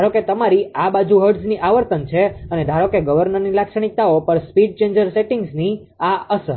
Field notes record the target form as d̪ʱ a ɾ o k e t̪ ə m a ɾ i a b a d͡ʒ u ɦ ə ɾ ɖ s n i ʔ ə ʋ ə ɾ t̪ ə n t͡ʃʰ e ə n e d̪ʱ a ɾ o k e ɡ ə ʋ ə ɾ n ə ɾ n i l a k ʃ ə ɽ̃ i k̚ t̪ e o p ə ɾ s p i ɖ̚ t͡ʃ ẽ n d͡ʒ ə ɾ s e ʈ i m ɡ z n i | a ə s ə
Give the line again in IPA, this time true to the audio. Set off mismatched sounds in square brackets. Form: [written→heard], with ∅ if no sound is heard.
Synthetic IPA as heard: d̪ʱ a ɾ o k e t̪ ə m a ɾ i a b a d͡ʒ u ɦ ə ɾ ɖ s n i ʔ [ə→a] ʋ ə ɾ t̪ ə n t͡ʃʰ e ə n e d̪ʱ a ɾ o k e ɡ ə ʋ ə ɾ n ə ɾ n i l a k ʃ ə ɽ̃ i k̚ t̪ [e→a] o p ə ɾ s p i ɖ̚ t͡ʃ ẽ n d͡ʒ ə ɾ s e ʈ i [m→ŋ] ɡ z n i | a ə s ə